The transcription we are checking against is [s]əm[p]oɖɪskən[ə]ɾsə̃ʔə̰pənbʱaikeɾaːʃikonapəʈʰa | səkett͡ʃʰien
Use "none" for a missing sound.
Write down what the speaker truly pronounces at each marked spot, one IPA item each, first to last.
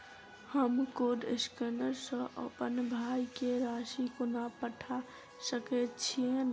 h, k, ə

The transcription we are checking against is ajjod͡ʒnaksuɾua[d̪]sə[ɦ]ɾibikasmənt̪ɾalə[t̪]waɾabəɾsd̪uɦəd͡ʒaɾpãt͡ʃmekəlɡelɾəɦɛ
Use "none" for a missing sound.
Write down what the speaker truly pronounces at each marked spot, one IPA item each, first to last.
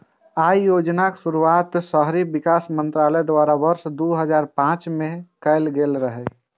t̪, ɦ, d̪

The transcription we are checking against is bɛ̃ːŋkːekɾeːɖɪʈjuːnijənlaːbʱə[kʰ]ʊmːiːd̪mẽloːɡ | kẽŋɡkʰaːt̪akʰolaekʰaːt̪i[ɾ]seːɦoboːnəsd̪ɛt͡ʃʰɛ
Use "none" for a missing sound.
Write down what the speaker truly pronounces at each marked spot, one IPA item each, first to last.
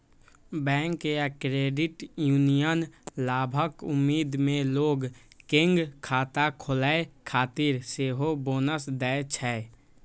k, ɾ

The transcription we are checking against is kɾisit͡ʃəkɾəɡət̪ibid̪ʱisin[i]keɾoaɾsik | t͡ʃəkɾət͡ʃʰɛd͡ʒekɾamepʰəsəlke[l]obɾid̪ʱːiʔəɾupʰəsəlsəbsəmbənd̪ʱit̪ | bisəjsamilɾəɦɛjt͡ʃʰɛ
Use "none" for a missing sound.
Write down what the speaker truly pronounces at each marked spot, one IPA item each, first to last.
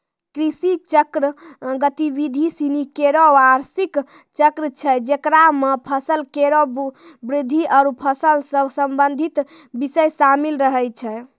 i, ɾ

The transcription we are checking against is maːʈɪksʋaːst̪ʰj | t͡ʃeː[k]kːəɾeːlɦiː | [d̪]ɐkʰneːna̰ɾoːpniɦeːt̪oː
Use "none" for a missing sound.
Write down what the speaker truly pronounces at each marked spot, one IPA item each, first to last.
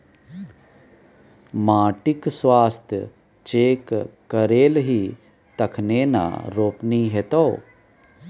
k, t̪

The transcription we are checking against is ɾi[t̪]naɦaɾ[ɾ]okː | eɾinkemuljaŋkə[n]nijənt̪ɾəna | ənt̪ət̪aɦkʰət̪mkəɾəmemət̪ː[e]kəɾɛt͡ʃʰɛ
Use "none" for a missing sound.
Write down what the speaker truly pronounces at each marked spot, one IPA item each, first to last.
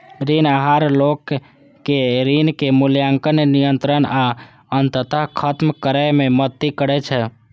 none, l, n, i

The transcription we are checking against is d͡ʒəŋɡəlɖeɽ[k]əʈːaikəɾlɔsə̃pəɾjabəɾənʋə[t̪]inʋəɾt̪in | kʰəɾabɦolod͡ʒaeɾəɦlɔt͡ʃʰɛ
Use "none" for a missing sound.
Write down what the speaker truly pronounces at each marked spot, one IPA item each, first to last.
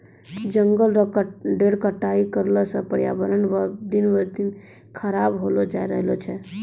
k, d̪

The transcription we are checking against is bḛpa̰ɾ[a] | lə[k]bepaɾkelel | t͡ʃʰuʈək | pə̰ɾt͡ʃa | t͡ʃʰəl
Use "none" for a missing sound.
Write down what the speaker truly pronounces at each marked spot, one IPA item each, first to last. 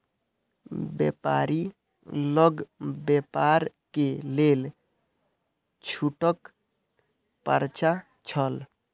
i, ɡ

